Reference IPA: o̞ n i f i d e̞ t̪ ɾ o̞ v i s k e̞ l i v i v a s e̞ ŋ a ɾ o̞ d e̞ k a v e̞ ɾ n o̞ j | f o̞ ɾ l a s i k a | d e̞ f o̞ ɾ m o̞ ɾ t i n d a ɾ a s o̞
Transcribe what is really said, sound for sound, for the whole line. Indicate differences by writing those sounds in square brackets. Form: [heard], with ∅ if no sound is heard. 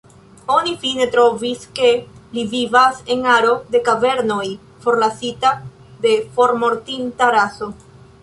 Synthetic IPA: o̞ n i f i [n] e̞ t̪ ɾ o̞ v i s k e̞ l i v i v a s e̞ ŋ a ɾ o̞ d e̞ k a v e̞ ɾ n o̞ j | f o̞ ɾ l a s i [t] a | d e̞ f o̞ ɾ m o̞ ɾ t i n [t] a ɾ a s o̞